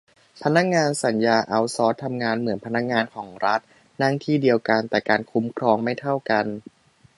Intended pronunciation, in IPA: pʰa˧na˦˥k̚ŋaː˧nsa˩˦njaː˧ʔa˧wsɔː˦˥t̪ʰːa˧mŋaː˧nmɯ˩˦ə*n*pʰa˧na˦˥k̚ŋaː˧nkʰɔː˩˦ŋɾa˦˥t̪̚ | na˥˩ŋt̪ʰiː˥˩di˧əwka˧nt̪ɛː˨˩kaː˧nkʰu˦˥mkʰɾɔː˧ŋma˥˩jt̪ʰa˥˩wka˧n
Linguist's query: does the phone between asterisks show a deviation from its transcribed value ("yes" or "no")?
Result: no